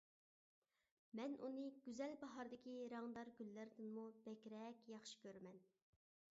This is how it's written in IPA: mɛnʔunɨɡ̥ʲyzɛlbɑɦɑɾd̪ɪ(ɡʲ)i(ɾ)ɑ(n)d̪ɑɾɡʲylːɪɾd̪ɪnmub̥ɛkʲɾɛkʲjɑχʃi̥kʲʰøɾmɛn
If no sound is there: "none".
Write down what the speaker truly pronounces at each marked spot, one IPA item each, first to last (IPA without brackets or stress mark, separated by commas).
kʲ, ɾ, ŋ